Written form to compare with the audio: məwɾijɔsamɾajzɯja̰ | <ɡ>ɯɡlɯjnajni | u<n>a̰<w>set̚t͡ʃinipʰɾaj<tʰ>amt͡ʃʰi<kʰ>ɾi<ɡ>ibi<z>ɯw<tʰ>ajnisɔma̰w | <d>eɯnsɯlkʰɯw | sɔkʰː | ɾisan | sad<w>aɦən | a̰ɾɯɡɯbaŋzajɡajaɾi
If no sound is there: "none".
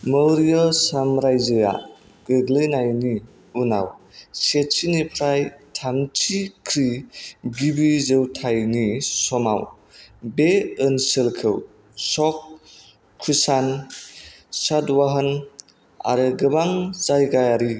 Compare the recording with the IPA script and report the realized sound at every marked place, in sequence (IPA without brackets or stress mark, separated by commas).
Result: ɡ, n, w, tʰ, kʰ, ɡ, z, tʰ, b, w